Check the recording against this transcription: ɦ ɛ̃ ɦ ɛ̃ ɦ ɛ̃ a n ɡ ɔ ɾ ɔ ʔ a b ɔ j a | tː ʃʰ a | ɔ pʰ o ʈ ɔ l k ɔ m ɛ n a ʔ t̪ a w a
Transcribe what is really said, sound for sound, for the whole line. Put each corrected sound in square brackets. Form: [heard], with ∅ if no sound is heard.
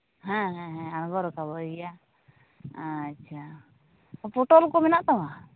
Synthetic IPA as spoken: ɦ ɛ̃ ɦ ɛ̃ ɦ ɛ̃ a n ɡ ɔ ɾ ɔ [k] a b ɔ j a | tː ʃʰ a | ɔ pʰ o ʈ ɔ l k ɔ m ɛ n a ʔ t̪ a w a